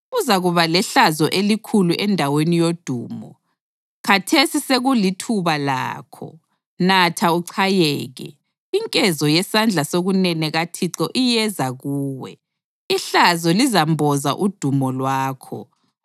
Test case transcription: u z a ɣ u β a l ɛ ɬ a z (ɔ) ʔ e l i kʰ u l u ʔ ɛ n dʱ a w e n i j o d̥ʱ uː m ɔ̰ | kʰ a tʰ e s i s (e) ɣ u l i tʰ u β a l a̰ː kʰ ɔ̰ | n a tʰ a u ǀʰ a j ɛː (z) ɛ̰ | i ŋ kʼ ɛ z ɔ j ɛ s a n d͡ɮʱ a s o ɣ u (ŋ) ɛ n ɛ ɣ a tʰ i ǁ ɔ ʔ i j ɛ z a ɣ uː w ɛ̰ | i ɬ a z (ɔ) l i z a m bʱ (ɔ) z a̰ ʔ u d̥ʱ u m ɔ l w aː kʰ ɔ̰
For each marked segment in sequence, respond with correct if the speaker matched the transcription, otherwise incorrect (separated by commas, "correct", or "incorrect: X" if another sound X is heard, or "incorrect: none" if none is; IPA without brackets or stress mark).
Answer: correct, correct, incorrect: ɣ, incorrect: n, correct, correct